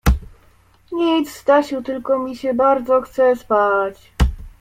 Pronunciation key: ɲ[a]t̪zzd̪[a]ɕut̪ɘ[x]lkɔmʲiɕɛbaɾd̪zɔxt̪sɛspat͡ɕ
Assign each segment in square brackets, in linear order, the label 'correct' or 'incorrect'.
incorrect: i, correct, incorrect: none

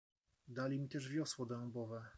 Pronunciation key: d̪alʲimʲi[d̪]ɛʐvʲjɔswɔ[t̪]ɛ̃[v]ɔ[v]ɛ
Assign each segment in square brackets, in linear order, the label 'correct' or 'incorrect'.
incorrect: t̪, incorrect: d̪, incorrect: b, correct

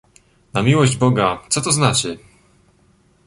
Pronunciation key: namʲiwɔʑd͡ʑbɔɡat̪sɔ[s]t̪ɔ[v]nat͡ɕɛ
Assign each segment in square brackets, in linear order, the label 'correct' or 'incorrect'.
incorrect: none, incorrect: z

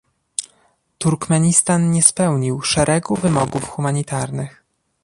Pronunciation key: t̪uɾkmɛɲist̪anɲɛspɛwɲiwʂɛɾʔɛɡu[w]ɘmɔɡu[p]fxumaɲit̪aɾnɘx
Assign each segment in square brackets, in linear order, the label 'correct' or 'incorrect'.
incorrect: v, incorrect: none

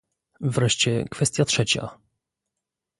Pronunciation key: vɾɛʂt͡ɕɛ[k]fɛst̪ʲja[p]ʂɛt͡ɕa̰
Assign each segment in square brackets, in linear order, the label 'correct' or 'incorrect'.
correct, incorrect: t

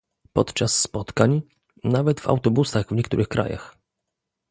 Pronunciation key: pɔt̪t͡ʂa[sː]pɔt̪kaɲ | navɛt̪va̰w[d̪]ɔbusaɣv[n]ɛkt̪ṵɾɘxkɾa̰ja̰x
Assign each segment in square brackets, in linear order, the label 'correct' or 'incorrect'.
correct, incorrect: t̪, incorrect: ɲ

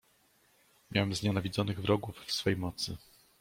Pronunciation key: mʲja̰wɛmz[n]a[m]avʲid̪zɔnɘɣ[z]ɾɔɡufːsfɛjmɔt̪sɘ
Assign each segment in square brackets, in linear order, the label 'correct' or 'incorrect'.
incorrect: ɲ, incorrect: n, incorrect: v

